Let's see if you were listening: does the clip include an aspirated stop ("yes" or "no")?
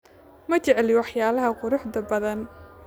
no